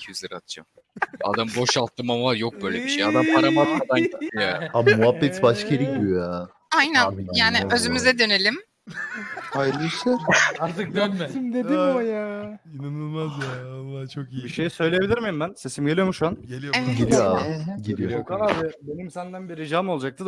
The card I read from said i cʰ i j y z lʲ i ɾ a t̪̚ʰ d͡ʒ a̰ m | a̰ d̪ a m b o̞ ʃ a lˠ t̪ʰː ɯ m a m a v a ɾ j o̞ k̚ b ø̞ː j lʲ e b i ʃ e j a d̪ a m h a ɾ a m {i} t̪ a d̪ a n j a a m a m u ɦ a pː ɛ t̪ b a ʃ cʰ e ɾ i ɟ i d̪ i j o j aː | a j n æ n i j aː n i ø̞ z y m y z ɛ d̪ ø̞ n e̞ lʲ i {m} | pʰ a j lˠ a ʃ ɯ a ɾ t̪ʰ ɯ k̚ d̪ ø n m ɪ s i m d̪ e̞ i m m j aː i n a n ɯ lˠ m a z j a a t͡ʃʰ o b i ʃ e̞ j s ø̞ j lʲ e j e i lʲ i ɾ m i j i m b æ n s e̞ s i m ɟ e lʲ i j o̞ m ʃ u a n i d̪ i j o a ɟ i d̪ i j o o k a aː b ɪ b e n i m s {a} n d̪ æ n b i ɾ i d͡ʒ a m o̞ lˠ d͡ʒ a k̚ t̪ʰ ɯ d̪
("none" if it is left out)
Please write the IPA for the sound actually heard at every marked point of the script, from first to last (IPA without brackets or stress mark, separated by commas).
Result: a, m, æ